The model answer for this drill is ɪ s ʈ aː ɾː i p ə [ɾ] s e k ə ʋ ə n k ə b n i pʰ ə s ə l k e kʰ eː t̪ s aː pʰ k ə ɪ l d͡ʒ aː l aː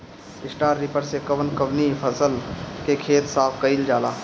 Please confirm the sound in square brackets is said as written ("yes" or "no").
yes